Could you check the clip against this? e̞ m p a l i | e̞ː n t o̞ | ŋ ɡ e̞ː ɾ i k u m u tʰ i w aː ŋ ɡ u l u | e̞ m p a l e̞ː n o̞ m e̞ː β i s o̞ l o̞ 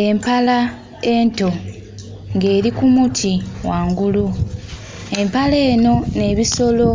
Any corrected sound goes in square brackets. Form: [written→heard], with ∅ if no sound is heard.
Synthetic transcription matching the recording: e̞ m p a l [i→a] | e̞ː n t o̞ | ŋ ɡ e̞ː ɾ i k u m u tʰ i w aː ŋ ɡ u l u | e̞ m p a l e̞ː n o̞ [m→n] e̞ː β i s o̞ l o̞